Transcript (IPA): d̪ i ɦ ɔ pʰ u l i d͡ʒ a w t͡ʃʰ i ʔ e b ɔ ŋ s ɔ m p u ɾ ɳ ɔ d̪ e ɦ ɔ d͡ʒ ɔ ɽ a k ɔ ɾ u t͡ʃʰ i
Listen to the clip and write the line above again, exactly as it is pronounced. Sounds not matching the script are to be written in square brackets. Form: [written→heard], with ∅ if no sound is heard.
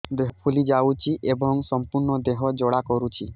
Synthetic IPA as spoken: d̪ [i→e] ɦ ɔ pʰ u l i d͡ʒ a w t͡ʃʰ i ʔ e b ɔ ŋ s ɔ m p u ɾ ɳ ɔ d̪ e ɦ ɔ d͡ʒ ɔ ɽ a k ɔ ɾ u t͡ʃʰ i